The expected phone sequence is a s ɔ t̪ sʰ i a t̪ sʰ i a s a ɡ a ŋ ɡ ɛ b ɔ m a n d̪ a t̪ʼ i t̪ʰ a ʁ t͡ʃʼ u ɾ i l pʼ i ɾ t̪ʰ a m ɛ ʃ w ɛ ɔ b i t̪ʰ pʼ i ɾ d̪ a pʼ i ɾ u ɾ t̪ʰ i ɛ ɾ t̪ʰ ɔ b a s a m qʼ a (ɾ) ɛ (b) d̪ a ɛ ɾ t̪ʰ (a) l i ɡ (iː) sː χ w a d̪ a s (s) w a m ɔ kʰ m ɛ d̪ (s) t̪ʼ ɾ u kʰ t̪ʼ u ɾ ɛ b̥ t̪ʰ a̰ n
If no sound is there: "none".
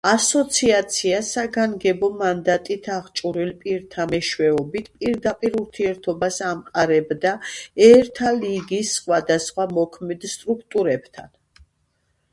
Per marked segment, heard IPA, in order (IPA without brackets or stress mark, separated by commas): ɾ, b, a, i, χ, s